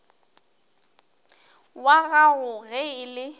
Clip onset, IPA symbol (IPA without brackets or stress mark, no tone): w